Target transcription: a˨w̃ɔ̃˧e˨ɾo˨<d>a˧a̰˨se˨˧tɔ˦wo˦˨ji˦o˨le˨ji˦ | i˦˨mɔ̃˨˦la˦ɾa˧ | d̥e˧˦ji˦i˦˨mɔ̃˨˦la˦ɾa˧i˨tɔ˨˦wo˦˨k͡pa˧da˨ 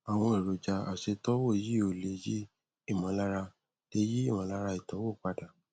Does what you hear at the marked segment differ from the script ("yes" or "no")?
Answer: yes